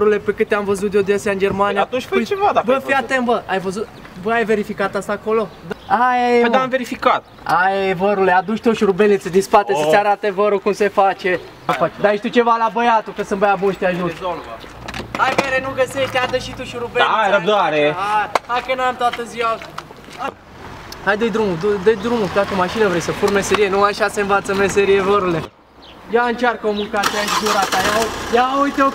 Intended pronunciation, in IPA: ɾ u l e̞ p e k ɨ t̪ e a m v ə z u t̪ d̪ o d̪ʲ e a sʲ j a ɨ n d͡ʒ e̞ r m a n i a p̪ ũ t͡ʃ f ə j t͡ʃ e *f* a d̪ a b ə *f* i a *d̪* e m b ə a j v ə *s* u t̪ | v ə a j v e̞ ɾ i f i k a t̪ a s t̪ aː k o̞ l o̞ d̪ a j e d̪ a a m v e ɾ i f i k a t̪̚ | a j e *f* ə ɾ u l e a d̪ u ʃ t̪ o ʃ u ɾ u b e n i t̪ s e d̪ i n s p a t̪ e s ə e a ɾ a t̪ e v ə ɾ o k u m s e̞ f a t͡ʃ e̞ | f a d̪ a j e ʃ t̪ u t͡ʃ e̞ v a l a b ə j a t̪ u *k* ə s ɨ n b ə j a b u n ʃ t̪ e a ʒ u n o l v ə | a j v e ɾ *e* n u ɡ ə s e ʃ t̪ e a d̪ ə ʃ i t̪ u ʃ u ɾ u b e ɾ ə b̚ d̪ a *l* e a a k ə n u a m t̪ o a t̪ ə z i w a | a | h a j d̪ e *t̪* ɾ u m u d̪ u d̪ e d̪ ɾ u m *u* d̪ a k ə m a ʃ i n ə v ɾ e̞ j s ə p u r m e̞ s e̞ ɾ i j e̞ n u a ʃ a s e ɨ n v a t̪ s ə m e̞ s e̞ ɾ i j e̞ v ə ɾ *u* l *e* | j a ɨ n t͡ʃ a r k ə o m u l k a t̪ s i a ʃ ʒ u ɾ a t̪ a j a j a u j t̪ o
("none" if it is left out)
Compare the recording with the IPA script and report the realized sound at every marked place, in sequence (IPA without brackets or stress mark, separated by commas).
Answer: v, f, t̪, z, v, k, e, ɾ, d̪, u, u, e